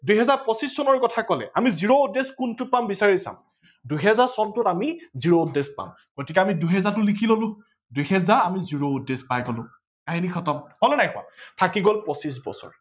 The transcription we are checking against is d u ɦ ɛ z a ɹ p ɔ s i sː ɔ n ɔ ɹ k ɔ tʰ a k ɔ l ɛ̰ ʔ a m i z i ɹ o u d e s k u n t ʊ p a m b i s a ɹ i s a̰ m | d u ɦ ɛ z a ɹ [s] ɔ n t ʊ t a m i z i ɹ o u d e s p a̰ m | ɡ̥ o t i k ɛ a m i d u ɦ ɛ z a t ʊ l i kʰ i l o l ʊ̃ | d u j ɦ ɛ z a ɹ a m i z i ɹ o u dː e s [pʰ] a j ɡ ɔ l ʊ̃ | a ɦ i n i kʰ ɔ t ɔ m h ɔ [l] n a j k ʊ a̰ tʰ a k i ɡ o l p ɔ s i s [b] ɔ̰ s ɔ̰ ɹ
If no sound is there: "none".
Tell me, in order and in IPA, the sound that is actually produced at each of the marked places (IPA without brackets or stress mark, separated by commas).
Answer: s, p, l, b